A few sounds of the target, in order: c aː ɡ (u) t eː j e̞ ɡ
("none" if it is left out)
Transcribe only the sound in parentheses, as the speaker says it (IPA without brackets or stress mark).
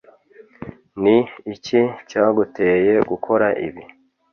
u